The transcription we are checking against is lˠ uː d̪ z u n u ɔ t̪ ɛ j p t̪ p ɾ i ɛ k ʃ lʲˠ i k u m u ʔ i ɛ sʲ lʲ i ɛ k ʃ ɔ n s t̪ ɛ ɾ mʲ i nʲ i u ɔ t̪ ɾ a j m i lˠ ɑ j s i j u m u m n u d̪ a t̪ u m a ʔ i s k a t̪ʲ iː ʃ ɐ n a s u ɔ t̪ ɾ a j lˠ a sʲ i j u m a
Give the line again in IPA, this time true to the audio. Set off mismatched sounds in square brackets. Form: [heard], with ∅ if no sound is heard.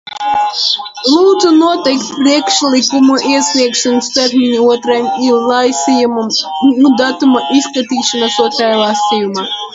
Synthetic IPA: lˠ uː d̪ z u n u ɔ t̪ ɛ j [k] t̪ p ɾ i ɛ k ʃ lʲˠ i k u m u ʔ i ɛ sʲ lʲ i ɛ k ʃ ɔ n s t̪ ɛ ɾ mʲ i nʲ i u ɔ t̪ ɾ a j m i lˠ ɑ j s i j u m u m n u d̪ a t̪ u m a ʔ i s k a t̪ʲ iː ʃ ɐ n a s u ɔ t̪ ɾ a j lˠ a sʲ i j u m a